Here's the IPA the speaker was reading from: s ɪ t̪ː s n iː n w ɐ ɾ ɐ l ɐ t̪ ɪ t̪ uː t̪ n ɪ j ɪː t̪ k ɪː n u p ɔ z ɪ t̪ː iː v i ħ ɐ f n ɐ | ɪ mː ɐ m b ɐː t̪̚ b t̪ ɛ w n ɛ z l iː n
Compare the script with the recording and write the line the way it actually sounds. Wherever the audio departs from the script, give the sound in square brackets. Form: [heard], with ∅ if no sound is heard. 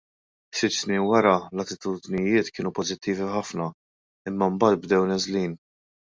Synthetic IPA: s ɪ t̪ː s n iː n w ɐ ɾ ɐ l ɐ t̪ ɪ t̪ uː [d̪] n ɪ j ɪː t̪ k ɪː n u p ɔ z ɪ t̪ː iː v i ħ ɐ f n ɐ | ɪ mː ɐ m b ɐː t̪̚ b [d̪] ɛ w n ɛ z l iː n